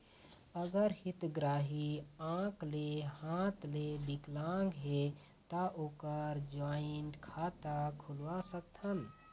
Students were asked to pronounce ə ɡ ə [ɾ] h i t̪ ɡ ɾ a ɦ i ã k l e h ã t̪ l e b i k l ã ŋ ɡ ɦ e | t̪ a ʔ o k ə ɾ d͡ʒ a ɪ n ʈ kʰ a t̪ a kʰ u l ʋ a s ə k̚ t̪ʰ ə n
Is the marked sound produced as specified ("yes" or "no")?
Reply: yes